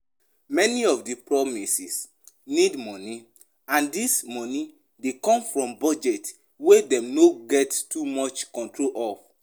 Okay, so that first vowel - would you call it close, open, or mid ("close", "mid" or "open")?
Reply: mid